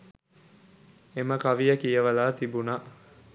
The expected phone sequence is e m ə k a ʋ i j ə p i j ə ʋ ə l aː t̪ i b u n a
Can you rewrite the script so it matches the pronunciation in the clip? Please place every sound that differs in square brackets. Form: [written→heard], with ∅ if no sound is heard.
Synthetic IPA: e m ə k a ʋ i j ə [p→k] i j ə ʋ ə l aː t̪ i b u n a